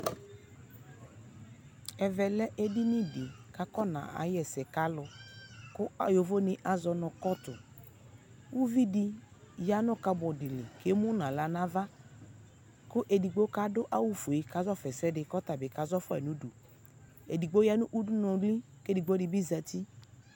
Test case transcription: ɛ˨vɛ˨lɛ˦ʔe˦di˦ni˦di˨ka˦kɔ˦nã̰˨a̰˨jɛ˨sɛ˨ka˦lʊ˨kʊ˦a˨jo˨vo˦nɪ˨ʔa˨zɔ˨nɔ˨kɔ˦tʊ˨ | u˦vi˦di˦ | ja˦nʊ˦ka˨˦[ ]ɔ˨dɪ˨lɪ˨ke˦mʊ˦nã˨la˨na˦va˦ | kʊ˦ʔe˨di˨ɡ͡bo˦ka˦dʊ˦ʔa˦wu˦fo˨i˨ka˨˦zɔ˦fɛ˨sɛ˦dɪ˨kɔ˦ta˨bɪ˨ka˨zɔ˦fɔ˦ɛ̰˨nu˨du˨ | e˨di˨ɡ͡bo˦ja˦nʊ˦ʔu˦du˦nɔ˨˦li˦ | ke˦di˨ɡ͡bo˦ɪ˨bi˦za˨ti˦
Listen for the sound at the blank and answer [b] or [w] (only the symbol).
b